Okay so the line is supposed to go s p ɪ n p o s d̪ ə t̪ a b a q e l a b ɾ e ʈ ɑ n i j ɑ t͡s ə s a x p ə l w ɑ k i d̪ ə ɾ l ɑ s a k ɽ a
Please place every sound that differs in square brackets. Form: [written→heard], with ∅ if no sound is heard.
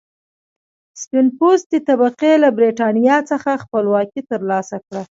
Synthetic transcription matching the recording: s p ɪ n p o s d̪ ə t̪ a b a q e l a b ɾ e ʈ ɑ n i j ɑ t͡s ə [s→x] a x p ə l w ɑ k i [d̪→t̪] ə ɾ l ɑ s a k ɽ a